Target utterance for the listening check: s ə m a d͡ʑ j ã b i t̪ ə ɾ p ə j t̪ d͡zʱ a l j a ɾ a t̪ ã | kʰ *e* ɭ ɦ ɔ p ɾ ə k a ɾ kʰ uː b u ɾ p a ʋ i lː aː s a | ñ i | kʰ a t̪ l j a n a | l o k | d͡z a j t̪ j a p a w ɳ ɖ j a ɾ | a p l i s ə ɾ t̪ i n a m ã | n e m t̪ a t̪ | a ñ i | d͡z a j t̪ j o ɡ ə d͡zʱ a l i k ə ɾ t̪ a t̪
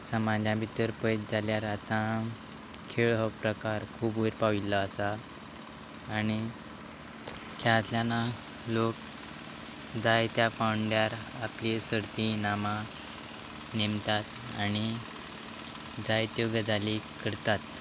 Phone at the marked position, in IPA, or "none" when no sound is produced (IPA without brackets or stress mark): e